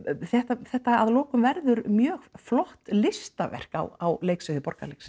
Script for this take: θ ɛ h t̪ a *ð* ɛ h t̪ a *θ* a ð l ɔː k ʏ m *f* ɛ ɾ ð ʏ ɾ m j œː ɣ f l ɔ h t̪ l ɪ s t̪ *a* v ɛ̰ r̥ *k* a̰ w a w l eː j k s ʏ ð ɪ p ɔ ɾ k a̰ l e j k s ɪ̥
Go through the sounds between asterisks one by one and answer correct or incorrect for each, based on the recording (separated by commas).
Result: incorrect, incorrect, incorrect, correct, correct